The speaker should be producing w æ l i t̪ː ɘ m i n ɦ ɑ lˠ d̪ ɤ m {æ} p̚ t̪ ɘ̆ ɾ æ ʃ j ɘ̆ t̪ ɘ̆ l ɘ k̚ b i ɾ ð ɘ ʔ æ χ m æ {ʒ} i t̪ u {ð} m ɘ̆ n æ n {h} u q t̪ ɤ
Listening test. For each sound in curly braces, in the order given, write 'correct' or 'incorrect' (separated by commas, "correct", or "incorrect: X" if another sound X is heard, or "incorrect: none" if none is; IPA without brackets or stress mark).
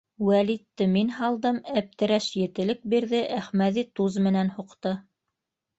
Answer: correct, incorrect: ð, incorrect: z, correct